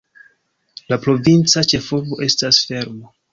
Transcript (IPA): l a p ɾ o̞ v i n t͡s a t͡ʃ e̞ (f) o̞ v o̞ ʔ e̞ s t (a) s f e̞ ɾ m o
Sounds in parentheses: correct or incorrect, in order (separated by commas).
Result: correct, correct